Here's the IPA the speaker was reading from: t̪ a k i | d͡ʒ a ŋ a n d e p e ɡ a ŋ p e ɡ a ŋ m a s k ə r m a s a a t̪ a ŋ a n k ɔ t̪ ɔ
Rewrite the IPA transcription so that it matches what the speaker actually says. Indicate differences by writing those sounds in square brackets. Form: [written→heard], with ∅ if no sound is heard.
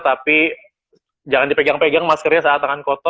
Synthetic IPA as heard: t̪ a [k→p] i | d͡ʒ a ŋ a n d [e→i] p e ɡ a ŋ p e ɡ a ŋ m a s k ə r [m→ɲ] a s a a t̪ a ŋ a n k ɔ t̪ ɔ